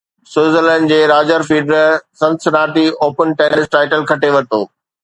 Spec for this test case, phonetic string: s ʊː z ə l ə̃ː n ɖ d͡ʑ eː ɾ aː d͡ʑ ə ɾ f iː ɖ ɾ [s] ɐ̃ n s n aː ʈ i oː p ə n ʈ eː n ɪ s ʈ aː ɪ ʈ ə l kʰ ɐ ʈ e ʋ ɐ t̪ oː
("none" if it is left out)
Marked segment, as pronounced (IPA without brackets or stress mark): s